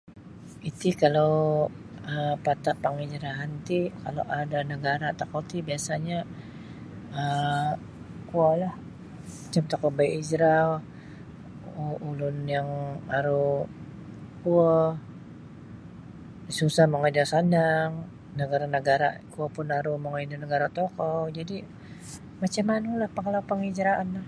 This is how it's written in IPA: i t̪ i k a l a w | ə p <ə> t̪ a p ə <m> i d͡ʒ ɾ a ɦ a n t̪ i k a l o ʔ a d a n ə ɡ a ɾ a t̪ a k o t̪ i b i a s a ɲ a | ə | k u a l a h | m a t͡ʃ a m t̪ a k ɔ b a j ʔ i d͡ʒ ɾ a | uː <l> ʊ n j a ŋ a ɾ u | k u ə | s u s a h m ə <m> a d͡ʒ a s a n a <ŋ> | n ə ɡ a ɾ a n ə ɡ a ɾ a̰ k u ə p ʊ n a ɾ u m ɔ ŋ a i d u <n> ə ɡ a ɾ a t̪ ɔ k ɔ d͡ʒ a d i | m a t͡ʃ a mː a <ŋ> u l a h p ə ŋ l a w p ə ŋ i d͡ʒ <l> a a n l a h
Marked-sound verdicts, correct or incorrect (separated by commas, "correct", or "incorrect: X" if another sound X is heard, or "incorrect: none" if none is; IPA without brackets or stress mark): incorrect: a, incorrect: ŋ, correct, incorrect: ŋ, correct, correct, incorrect: n, incorrect: ɾ